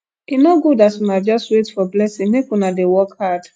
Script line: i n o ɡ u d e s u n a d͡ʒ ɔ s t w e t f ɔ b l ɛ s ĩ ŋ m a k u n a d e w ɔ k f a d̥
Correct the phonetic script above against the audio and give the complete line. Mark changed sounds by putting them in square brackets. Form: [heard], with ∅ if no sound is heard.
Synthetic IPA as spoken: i n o ɡ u d [a] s u n a d͡ʒ ɔ s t w e t f ɔ b l ɛ s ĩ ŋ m [e] k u n a d e w ɔ k [h] a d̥